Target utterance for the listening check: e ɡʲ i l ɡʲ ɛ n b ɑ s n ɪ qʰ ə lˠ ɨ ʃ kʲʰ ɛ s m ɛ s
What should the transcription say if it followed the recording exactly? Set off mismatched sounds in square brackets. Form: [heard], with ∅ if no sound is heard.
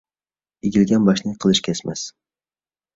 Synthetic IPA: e ɡʲ i l ɡʲ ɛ n b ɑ [ʃ] n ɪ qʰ ə lˠ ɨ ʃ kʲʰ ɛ s m ɛ s